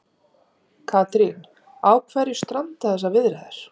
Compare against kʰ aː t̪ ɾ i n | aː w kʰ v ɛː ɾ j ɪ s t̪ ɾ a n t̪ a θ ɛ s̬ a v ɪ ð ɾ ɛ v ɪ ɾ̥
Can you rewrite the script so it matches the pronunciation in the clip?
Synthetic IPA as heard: kʰ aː t̪ ɾ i n | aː w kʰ v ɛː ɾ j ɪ s t̪ ɾ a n t̪ a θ ɛ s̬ a v ɪ ð ɾ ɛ ð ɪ ɾ̥